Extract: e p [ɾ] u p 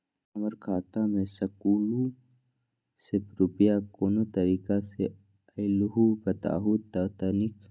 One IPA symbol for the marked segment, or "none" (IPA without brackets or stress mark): ɾ